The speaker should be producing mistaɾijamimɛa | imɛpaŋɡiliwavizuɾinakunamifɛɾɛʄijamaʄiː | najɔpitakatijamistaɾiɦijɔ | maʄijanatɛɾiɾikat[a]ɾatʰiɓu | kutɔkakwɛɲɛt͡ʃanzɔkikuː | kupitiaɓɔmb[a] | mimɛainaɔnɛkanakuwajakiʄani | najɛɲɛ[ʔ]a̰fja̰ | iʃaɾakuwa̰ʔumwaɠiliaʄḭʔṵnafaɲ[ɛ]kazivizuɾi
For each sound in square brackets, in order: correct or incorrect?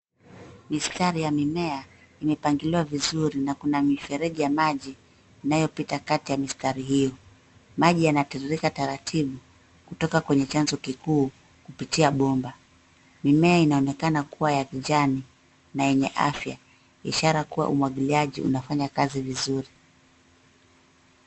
correct, correct, correct, incorrect

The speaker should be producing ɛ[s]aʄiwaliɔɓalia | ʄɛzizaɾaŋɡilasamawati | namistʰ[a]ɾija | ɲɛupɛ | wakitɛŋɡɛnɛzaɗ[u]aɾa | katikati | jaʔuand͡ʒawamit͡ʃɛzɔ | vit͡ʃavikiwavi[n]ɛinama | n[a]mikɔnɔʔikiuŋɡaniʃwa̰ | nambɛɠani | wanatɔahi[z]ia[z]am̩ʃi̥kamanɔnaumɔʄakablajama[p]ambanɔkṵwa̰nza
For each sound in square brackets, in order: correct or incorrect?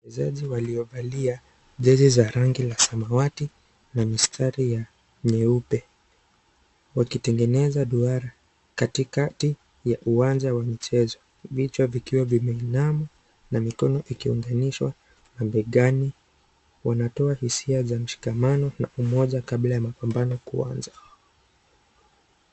incorrect, correct, correct, incorrect, correct, incorrect, correct, correct

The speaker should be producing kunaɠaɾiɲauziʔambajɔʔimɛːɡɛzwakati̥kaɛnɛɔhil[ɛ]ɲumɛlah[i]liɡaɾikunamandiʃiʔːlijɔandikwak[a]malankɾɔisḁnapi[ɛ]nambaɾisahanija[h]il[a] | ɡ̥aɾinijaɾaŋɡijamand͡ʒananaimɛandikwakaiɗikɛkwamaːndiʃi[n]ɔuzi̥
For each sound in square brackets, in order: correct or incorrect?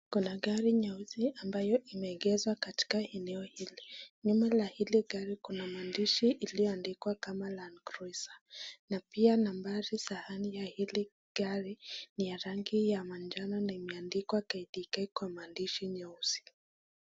incorrect, correct, correct, incorrect, correct, incorrect, incorrect

